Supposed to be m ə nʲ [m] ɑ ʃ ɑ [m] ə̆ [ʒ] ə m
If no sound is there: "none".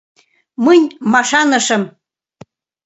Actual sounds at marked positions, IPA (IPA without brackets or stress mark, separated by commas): m, n, ʃ